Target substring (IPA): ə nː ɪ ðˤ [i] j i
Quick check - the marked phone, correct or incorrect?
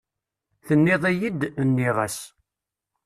incorrect